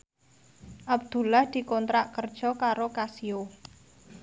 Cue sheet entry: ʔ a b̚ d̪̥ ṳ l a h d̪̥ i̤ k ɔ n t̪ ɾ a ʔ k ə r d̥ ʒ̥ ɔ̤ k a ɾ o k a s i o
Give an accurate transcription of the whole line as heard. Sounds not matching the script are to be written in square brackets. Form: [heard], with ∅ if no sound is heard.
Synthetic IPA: ʔ a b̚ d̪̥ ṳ l a h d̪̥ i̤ k ɔ n t̪ ɾ a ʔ k ə r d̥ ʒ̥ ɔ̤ k a ɾ o k a s i o